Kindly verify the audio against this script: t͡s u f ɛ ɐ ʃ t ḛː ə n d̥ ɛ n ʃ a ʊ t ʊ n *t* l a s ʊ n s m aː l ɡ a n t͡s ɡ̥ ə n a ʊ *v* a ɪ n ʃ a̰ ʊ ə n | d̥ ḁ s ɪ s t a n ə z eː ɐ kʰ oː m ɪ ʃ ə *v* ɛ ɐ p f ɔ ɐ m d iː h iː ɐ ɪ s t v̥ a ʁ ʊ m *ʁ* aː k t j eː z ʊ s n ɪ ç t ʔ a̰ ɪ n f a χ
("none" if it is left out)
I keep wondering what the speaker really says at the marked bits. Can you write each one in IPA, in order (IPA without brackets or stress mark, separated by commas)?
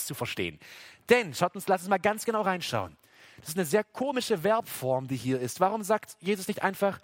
s, ʁ, v, z